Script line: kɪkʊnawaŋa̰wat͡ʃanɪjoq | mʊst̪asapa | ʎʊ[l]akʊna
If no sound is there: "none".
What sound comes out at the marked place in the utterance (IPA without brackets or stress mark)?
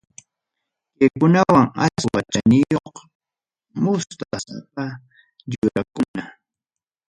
ɾ